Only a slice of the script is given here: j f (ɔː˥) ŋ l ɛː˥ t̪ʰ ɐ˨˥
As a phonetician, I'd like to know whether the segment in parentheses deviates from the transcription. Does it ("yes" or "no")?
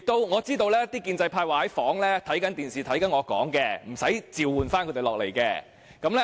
yes